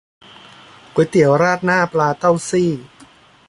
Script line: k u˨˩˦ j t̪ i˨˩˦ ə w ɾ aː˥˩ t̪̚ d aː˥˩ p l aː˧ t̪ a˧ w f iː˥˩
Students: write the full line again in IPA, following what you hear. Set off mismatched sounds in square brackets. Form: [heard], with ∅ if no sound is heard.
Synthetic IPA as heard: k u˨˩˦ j t̪ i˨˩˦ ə w ɾ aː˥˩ t̪̚ [n] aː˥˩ p l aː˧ t̪ [a˥˩] w [s] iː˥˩